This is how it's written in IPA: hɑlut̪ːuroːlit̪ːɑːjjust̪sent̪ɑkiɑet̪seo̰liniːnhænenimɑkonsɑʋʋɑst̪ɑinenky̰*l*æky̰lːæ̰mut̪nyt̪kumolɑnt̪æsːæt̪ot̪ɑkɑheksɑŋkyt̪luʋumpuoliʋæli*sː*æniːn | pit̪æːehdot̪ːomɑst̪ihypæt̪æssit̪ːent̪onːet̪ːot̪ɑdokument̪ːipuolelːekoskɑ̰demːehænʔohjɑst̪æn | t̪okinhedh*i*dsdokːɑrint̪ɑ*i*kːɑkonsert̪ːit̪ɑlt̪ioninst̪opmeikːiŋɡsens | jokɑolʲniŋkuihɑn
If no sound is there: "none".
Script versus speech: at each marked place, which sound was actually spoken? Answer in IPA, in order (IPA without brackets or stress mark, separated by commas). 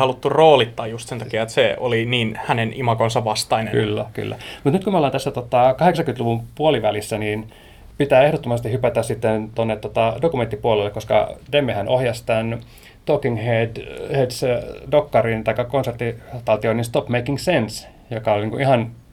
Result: lː, sː, e, i